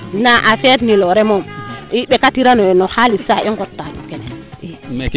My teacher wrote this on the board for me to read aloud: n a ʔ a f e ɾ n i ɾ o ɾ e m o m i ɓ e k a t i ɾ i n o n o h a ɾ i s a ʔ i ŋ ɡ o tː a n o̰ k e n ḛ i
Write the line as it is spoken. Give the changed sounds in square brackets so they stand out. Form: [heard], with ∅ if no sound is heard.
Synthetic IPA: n a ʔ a f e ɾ n i [l] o ɾ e m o m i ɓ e k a t i ɾ [a] n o n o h a [l] i s a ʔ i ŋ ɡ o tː a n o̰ k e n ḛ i